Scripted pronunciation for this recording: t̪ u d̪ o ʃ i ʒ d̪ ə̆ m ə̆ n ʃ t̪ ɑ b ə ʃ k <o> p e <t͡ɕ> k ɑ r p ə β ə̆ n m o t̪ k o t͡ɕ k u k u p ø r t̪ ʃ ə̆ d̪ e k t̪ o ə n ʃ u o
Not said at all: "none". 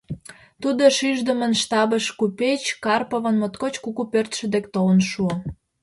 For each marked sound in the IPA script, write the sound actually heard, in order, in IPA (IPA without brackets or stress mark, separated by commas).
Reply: u, t͡ɕ